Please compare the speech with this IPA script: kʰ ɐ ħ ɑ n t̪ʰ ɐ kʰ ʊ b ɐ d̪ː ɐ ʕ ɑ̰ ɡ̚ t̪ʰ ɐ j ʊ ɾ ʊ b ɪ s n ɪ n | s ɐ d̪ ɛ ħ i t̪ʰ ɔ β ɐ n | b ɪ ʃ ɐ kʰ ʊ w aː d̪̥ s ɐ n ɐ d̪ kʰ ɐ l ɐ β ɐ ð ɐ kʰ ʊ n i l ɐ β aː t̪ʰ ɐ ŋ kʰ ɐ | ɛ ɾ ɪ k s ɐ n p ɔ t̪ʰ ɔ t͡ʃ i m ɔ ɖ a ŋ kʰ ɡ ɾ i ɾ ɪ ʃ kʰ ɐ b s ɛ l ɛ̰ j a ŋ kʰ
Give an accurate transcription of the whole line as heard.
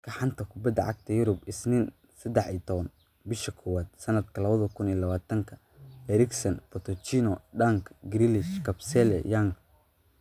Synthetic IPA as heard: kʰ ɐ ħ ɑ n t̪ʰ ɐ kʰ ʊ b ɐ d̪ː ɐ ʕ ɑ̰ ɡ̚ t̪ʰ ɐ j ʊ ɾ ʊ b ɪ s n ɪ n | s ɐ d̪ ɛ ħ i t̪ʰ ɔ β ɐ n | b ɪ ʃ ɐ kʰ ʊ w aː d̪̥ s ɐ n ɐ d̪ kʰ ɐ l ɐ β ɐ ð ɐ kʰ ʊ n i l ɐ β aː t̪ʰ ɐ ŋ kʰ ɐ | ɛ ɾ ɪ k s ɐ n p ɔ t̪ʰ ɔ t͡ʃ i n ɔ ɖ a ŋ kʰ ɡ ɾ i l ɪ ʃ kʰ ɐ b s ɛ l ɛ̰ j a ŋ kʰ